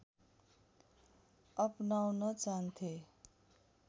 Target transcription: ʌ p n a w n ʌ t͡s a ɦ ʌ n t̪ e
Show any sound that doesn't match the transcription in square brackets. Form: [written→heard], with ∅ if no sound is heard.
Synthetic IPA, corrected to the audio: ʌ p n a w n ʌ t͡s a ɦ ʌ n [t̪→t̪ʰ] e

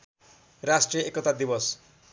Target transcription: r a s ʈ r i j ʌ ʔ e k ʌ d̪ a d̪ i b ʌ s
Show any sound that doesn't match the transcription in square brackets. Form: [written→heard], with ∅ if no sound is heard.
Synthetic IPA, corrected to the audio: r a s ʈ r i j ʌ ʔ e k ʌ [d̪→t̪] a d̪ i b ʌ s

